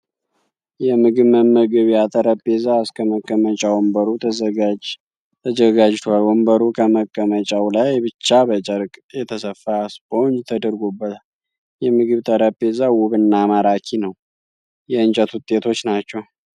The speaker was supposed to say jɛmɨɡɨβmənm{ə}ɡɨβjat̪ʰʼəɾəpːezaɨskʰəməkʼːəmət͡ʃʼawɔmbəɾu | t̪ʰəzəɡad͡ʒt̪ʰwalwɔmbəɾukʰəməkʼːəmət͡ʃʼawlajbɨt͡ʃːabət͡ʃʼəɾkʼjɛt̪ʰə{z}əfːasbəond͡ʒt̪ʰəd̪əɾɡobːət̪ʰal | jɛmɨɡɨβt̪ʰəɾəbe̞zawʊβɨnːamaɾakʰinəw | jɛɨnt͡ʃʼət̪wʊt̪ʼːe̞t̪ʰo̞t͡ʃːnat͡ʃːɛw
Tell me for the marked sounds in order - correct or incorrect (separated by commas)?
correct, incorrect